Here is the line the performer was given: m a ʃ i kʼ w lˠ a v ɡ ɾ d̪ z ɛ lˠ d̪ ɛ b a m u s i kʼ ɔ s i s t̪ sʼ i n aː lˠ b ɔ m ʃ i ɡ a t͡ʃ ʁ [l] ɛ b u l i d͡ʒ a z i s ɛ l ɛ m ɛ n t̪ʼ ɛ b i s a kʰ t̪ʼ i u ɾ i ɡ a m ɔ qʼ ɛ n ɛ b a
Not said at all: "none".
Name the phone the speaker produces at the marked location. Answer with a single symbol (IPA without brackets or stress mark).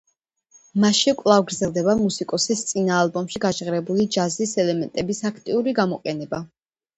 ɾ